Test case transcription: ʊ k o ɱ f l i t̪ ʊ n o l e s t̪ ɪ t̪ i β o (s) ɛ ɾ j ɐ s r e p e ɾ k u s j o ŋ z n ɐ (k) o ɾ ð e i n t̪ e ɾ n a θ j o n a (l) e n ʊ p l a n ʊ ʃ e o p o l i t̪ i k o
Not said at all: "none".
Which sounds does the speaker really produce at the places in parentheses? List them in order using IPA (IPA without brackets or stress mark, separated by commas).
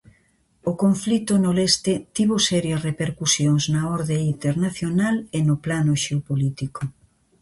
s, none, l